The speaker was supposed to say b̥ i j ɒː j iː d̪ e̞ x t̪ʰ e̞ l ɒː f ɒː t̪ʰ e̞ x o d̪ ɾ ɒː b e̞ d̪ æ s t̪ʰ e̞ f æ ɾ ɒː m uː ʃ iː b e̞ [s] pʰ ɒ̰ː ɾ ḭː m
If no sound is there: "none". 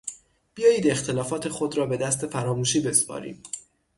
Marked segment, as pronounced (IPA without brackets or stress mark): s